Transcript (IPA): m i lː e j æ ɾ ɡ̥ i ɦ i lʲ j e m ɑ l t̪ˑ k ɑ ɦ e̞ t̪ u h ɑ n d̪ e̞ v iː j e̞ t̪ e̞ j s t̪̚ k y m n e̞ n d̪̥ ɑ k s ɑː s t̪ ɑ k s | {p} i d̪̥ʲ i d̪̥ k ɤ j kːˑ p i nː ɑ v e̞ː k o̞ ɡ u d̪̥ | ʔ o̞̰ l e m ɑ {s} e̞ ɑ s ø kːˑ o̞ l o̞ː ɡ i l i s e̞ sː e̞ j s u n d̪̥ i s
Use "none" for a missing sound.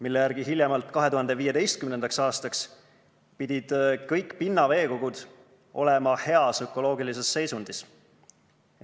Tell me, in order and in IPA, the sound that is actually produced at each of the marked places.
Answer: p, h

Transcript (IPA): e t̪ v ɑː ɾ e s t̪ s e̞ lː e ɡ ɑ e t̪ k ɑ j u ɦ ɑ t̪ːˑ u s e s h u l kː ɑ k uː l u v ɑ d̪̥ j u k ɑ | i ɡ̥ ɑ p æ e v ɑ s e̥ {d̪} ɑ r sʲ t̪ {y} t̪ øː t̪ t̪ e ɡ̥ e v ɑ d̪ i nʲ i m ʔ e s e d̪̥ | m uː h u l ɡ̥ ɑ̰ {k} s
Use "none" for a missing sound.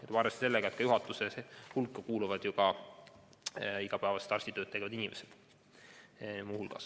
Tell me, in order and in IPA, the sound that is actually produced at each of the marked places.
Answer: t̪, i, none

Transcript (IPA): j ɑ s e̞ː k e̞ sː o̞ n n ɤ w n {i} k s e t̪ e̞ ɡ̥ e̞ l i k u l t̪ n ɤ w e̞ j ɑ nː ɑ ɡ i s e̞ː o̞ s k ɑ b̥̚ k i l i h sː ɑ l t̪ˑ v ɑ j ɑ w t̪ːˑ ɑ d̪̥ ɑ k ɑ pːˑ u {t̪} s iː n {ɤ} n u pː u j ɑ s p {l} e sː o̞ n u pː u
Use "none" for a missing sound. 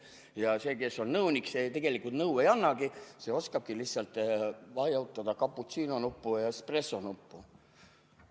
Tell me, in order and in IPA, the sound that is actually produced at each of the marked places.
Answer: i, t̪, o, r

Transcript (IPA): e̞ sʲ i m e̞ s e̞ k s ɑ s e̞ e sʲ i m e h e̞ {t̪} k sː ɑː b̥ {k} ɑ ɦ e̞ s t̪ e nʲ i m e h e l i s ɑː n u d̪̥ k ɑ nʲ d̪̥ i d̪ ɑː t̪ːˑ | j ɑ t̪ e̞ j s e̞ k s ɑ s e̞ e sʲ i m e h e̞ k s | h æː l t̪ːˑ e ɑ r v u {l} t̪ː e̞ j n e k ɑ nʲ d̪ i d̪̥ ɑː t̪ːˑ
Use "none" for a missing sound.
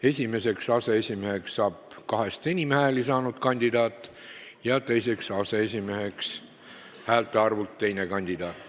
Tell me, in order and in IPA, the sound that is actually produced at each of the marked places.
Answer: none, k, l

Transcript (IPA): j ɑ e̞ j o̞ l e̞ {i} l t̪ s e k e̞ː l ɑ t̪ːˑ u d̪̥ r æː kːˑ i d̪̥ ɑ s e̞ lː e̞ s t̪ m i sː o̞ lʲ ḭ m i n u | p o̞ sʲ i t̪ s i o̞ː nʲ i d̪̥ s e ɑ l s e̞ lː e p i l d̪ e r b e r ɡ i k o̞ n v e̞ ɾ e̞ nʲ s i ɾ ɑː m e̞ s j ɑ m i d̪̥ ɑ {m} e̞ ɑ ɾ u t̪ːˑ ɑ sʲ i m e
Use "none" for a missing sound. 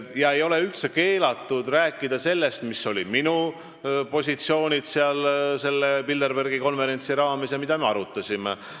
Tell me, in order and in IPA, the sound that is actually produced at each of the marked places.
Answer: y, m

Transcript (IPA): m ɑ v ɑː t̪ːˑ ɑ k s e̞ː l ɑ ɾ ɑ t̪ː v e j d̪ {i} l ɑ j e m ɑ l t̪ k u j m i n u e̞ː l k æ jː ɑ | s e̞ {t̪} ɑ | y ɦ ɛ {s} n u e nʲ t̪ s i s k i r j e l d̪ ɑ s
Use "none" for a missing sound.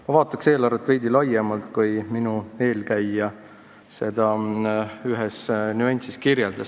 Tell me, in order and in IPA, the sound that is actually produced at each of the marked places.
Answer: i, d̪, s

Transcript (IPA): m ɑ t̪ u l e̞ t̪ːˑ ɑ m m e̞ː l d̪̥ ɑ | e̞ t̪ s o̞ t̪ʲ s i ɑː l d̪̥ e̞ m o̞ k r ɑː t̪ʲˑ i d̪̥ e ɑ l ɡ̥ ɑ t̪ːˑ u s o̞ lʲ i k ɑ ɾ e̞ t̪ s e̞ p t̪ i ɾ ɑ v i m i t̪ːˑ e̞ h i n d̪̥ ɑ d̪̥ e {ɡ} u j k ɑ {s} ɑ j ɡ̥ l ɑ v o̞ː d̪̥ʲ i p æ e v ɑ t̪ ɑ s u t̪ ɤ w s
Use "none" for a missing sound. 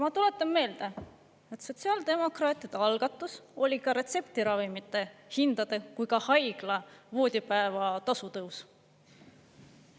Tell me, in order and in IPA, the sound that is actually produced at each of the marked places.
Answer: k, h

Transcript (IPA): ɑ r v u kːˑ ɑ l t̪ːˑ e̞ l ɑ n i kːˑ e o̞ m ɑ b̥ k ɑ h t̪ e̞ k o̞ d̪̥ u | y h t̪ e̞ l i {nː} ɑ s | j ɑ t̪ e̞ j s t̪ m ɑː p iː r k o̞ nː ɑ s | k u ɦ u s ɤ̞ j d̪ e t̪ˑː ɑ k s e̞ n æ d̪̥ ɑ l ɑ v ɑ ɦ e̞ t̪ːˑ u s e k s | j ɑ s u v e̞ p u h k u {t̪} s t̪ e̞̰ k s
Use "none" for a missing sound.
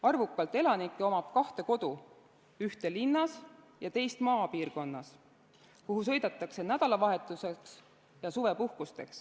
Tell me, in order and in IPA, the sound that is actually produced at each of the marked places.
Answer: nː, none

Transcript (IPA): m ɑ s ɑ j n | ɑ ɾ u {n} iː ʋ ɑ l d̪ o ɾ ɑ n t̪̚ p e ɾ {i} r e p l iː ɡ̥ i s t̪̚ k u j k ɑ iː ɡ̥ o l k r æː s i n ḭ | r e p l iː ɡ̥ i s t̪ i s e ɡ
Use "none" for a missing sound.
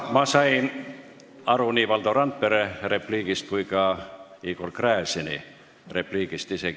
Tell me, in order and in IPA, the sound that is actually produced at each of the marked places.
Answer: n, e

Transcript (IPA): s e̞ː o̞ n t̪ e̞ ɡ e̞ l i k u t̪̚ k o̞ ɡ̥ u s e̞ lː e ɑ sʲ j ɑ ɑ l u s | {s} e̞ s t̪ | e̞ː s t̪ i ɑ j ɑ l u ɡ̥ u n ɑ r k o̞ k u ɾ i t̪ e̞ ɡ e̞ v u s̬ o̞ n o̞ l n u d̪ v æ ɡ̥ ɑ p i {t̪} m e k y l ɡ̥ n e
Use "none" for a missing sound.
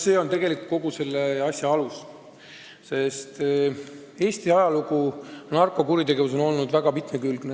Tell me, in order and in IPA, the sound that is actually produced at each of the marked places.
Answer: s, t̪

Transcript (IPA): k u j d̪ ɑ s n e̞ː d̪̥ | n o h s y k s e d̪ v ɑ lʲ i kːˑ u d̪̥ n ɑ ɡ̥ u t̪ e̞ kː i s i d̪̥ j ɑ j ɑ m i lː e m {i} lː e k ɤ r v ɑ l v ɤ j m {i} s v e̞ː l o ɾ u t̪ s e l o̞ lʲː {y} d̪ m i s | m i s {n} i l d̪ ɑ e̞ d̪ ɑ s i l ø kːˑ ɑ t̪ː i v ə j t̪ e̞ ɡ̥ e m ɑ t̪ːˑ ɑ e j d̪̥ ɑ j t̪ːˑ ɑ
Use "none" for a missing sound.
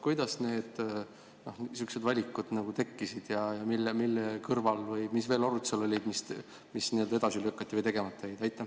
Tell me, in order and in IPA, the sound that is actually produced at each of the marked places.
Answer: i, i, i, n

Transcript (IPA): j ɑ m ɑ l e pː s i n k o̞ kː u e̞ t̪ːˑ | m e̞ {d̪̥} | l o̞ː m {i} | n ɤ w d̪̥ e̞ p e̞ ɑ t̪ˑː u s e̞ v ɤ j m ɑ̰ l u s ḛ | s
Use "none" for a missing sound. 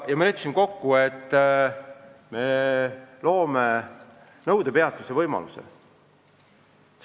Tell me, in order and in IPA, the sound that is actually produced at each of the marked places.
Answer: none, e

